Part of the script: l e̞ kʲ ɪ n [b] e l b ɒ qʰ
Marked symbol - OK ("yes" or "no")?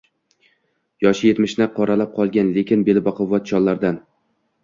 yes